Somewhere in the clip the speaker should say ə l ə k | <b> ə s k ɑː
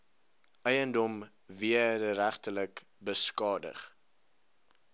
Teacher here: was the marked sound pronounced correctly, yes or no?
yes